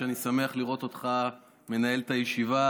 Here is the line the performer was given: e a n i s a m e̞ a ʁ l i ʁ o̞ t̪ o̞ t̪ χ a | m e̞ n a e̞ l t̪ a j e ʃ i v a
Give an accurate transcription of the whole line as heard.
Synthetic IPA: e a n i s a m e̞ a χ l i ʁ o̞ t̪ o̞ t̪ χ a | m e̞ n a e̞ l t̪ a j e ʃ i v a